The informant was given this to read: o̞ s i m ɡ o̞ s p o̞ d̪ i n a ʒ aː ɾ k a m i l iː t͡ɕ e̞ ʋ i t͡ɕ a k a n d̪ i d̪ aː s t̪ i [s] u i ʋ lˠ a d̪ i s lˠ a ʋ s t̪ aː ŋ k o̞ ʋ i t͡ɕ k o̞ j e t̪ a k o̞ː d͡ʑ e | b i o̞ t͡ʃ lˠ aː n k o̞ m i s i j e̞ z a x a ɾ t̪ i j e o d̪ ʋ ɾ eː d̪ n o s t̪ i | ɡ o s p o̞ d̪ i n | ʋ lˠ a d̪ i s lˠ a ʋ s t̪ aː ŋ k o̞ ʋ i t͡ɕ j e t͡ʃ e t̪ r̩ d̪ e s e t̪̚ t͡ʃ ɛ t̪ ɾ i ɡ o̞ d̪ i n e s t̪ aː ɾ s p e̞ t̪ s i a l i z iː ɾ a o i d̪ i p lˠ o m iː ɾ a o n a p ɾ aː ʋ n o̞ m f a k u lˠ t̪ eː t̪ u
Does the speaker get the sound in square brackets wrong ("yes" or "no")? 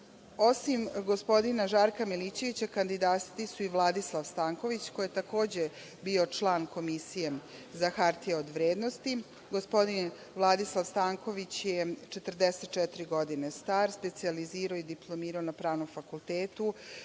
no